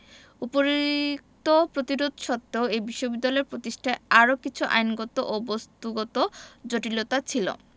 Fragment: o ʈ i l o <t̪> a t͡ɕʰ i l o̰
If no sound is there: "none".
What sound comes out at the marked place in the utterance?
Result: t̪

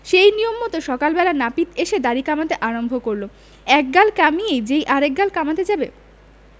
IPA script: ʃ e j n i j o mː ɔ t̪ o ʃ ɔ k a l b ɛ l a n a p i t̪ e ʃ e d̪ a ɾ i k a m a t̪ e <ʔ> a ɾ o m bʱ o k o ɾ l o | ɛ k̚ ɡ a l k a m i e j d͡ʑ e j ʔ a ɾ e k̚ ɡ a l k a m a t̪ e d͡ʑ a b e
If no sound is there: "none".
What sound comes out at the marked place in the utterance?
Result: ʔ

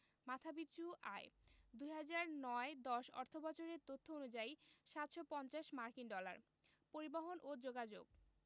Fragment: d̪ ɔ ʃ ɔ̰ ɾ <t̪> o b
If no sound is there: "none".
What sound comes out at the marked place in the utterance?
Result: t̪ʰ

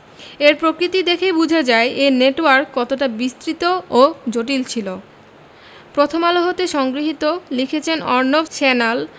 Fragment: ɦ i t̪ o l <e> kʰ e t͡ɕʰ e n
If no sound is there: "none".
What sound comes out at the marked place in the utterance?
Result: i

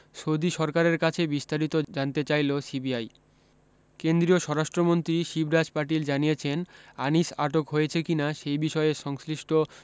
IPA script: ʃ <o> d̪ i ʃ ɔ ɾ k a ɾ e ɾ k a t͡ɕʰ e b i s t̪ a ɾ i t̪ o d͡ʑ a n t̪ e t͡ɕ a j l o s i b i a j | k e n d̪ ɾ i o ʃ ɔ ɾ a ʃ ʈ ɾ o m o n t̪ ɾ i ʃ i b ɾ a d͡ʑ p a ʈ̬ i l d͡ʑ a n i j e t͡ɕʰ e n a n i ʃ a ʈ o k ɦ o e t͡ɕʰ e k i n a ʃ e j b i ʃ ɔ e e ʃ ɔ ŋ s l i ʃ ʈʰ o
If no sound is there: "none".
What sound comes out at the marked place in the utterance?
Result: o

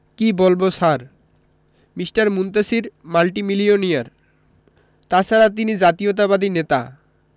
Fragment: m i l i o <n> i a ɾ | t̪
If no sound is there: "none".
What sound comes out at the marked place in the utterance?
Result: n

